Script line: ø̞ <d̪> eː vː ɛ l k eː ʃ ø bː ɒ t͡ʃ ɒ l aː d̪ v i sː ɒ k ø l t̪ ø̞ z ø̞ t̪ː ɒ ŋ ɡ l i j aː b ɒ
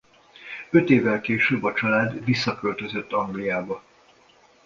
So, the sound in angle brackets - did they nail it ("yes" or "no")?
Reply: no